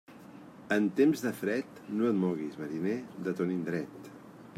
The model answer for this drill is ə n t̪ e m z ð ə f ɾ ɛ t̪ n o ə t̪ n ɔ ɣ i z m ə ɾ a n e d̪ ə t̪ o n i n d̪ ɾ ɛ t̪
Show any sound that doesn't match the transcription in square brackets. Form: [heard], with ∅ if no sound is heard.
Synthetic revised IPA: ə n t̪ e m z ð ə f ɾ ɛ t̪ n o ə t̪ [m] ɔ ɣ i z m ə ɾ [i] n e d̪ ə t̪ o n i n d̪ ɾ ɛ t̪